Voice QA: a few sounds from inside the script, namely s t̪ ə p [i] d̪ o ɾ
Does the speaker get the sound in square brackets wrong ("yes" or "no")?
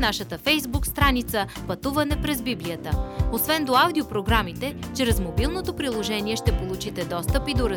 no